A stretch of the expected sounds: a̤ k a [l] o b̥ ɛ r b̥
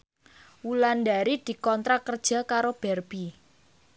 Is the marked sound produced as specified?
no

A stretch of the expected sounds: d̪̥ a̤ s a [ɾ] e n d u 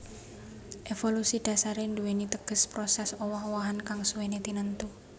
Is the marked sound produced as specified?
yes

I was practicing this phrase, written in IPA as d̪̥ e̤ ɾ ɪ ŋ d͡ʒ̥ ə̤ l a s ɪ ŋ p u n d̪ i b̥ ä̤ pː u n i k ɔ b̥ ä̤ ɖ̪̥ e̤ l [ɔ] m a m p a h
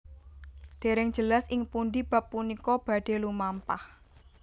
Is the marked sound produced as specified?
no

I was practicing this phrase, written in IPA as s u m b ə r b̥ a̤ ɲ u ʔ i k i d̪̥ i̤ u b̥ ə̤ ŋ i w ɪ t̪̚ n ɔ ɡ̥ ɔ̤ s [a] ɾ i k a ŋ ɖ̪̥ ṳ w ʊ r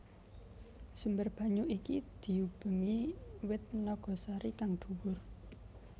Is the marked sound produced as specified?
yes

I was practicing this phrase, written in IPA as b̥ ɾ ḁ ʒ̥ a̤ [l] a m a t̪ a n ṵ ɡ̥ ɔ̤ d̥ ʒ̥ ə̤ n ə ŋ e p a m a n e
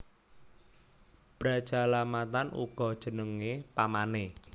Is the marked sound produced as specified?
yes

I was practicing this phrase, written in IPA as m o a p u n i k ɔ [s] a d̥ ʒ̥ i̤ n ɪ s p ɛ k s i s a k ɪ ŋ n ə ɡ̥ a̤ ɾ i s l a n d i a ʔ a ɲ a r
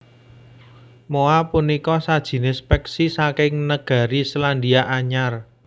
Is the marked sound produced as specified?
yes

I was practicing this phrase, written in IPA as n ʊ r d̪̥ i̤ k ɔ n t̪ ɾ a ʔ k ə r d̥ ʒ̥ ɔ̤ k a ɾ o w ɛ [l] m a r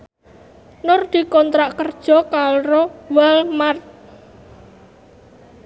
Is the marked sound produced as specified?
yes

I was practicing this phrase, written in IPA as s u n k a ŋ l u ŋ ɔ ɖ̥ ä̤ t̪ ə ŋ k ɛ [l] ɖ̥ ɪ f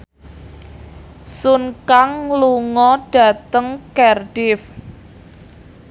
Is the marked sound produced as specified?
no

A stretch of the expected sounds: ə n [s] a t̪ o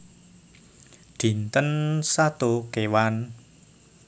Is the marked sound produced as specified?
yes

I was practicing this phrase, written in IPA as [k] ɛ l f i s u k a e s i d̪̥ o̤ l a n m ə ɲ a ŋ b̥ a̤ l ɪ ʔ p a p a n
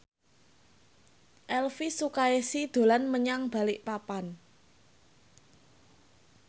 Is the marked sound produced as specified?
no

